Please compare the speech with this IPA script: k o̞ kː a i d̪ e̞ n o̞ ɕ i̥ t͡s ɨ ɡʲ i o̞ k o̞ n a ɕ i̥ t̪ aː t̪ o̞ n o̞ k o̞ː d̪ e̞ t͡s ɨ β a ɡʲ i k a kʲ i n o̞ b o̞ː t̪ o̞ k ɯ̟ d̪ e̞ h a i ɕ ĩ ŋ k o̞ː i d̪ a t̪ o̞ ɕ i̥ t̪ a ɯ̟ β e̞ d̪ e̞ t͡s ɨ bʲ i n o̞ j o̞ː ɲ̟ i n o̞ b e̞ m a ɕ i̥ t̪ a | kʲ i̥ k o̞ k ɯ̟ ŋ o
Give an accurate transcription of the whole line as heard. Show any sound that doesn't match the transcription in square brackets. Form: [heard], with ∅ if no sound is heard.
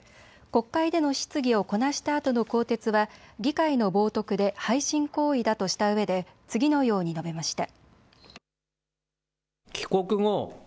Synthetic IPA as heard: k o̞ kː a i d̪ e̞ n o̞ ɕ i̥ t͡s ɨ ɡʲ i o̞ k o̞ n a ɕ i̥ t̪ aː t̪ o̞ n o̞ k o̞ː [t̪] e̞ t͡s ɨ β a ɡʲ i k a [∅] i n o̞ b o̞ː t̪ o̞ k ɯ̟ d̪ e̞ h a i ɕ ĩ ŋ k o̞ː i d̪ a t̪ o̞ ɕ i̥ t̪ a ɯ̟ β e̞ d̪ e̞ t͡s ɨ [ɡʲ] i n o̞ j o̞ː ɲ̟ i n o̞ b e̞ m a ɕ i̥ t̪ a | kʲ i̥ k o̞ k ɯ̟ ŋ o